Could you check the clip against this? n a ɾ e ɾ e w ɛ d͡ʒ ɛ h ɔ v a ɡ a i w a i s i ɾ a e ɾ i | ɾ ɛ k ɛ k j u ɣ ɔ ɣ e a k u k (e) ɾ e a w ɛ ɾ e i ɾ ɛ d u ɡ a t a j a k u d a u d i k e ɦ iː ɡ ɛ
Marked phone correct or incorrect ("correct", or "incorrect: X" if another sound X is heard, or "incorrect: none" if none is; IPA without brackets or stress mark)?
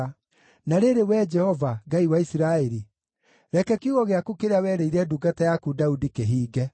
correct